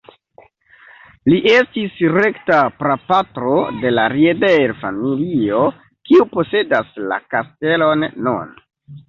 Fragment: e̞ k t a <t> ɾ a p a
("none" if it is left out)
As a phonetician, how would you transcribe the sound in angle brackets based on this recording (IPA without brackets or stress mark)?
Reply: p